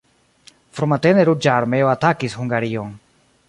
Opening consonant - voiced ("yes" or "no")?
no